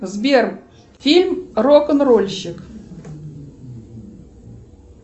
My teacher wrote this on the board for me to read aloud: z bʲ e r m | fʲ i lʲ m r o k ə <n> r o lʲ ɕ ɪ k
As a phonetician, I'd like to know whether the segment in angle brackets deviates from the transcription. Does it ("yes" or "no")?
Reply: no